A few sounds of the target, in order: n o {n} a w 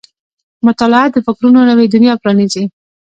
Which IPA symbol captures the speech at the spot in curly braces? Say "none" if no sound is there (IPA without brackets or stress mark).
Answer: n